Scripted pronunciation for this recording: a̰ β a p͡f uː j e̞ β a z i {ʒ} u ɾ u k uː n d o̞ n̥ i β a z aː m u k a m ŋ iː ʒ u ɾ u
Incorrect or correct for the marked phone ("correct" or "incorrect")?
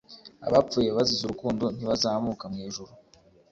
incorrect